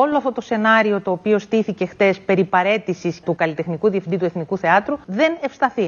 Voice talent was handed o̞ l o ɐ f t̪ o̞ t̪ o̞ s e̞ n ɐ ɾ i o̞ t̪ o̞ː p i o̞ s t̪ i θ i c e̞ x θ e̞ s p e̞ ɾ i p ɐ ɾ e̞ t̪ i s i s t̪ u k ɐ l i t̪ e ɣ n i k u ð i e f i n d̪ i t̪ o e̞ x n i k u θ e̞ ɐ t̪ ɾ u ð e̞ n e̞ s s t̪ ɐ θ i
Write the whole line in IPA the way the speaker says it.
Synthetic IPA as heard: o̞ l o ɐ f t̪ o̞ t̪ o̞ s e̞ n ɐ ɾ i o̞ t̪ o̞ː p i o̞ s t̪ i θ i c e̞ x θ e̞ s p e̞ ɾ i p ɐ ɾ e̞ t̪ i s i s t̪ u k ɐ l i t̪ e x n i k u ð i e f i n d̪ i t̪ u e̞ θ n i k u θ e̞ ɐ t̪ ɾ u ð e̞ n e̞ f s t̪ ɐ θ i